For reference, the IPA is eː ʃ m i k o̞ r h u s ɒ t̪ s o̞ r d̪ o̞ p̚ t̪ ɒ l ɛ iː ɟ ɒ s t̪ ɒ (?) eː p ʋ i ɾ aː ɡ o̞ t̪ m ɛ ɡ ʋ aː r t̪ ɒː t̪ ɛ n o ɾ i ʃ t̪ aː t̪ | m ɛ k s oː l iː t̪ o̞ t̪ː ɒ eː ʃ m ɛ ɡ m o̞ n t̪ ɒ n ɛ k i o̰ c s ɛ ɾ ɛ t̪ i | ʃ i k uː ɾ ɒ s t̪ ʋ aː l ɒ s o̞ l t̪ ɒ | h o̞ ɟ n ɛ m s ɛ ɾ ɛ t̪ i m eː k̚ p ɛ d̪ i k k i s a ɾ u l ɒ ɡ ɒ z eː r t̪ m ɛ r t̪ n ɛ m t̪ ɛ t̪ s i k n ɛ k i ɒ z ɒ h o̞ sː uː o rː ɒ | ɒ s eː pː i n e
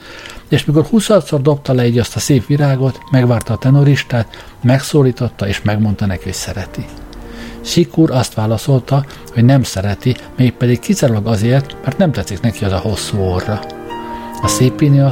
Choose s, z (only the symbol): s